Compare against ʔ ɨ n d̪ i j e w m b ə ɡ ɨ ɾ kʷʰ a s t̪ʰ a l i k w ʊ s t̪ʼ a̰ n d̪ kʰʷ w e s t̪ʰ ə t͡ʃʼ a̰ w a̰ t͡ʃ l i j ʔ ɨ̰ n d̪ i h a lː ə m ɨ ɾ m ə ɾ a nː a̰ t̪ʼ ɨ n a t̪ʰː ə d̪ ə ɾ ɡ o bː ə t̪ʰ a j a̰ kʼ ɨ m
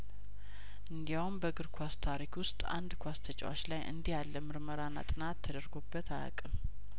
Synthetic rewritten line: ʔ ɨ n d̪ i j a w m b ə ɡ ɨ ɾ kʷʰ a s t̪ʰ a ɾ i k w ʊ s t̪ʼ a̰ n d̪ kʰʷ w a s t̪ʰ ə t͡ʃʼ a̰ w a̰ t͡ʃ l a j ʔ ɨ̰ n d̪ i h a lː ə m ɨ ɾ m ə ɾ a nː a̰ t̪ʼ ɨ n a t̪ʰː ə d̪ ə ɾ ɡ o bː ə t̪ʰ a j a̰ kʼ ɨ m